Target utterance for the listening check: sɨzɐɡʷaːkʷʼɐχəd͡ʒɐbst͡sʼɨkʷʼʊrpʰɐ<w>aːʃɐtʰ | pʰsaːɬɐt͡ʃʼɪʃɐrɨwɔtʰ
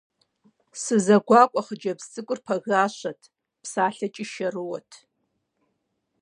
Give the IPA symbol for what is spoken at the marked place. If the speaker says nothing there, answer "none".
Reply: ɣ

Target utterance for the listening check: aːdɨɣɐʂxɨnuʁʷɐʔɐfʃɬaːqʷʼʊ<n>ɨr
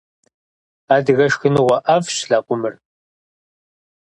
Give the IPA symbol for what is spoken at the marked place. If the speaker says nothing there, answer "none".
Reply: m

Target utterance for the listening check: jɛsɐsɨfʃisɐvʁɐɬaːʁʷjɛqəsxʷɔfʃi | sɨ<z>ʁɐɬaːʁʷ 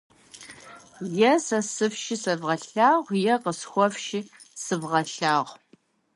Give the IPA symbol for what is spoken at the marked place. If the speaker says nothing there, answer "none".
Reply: v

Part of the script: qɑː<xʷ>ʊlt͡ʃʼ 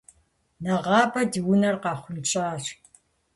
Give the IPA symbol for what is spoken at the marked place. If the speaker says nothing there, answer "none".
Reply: χʷ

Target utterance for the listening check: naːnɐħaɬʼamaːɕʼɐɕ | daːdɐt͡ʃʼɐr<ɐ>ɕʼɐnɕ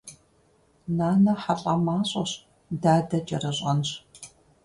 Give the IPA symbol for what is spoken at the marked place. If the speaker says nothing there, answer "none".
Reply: ɐ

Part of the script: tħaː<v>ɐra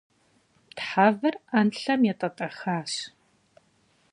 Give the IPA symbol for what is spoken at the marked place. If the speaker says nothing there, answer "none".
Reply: v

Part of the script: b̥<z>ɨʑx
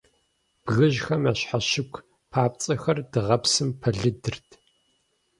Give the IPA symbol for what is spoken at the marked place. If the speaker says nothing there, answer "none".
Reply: ɣ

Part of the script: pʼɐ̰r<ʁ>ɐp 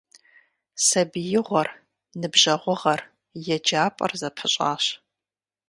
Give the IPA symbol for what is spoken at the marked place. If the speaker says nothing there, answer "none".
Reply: z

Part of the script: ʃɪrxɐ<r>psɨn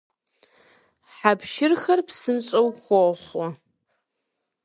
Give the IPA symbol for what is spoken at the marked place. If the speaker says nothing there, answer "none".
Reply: r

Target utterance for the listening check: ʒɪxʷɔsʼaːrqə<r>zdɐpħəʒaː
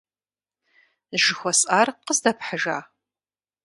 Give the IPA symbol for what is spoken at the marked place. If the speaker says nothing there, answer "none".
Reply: none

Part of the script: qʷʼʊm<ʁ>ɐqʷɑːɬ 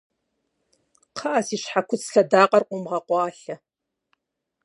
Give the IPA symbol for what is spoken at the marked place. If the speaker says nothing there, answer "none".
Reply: ʁ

